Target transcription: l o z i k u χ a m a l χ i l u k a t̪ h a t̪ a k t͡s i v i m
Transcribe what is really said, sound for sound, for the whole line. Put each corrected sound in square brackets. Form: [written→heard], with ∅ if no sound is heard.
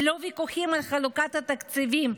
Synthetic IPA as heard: l o [z→v] i k u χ [a→i] m a l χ [i→a] l u k a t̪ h a t̪ a k t͡s i v i m